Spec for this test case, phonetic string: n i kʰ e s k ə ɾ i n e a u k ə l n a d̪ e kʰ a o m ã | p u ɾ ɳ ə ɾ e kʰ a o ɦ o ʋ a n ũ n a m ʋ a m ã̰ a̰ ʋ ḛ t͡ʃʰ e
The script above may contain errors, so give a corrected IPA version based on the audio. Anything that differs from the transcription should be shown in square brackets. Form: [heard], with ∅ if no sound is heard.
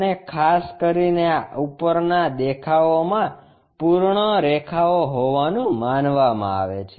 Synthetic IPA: n [e] kʰ [a] s k ə ɾ i n e a u [p] ə [ɾ] n a d̪ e kʰ a o m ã | p u ɾ ɳ ə ɾ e kʰ a o ɦ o ʋ a n ũ [m] a [n] ʋ a m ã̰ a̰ ʋ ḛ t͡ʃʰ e